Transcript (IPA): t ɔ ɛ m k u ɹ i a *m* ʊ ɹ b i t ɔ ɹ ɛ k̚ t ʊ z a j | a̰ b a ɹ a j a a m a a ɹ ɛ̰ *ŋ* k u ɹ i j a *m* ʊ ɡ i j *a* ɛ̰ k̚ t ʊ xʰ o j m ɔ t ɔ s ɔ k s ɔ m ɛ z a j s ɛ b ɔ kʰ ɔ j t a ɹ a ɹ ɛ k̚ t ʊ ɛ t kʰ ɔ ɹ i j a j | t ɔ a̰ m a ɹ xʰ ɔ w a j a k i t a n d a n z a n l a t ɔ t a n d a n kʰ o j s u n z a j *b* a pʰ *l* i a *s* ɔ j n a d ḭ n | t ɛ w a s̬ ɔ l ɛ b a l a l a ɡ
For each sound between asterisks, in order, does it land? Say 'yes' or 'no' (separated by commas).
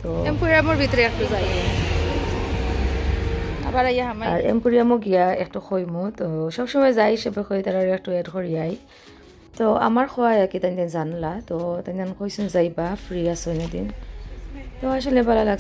yes, no, yes, yes, yes, no, yes